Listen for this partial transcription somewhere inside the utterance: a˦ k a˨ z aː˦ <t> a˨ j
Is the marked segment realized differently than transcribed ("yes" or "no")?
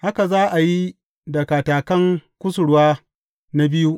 yes